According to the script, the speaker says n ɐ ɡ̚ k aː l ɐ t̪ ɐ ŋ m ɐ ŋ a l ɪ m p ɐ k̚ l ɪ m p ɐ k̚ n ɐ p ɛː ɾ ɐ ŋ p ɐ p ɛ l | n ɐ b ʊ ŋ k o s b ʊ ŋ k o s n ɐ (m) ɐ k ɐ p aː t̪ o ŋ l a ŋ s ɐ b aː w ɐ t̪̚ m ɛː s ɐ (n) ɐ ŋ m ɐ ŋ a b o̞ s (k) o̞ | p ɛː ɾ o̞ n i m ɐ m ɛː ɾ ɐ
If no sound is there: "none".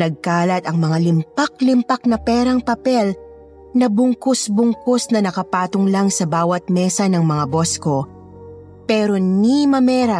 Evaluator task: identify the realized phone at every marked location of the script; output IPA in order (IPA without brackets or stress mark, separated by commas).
n, n, k